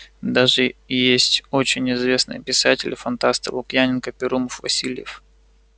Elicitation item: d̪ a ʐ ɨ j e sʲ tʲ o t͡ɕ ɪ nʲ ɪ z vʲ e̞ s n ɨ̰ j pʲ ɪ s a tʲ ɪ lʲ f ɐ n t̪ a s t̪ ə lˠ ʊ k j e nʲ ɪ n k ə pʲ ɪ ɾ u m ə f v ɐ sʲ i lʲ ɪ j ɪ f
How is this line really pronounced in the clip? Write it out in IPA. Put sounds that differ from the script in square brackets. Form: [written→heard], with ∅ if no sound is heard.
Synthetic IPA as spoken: d̪ a ʐ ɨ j e sʲ tʲ o t͡ɕ ɪ nʲ ɪ z vʲ e̞ s n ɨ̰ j pʲ ɪ s a tʲ ɪ lʲ f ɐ n t̪ a s t̪ ə lˠ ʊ k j [e→a] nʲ ɪ n k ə pʲ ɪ ɾ u m ə f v ɐ sʲ i lʲ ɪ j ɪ f